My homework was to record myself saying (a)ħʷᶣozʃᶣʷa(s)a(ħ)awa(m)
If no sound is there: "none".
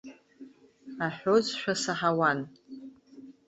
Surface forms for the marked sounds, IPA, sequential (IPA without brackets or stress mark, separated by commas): a, s, ħ, n